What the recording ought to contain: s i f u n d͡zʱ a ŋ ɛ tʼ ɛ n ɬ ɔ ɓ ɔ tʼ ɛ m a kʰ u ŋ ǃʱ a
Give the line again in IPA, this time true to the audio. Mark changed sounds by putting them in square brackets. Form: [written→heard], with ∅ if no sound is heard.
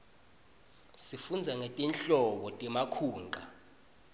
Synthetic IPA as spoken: s i f u n d͡zʱ a ŋ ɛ tʼ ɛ n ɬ ɔ ɓ ɔ tʼ ɛ m a kʰ [u→uː] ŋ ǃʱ a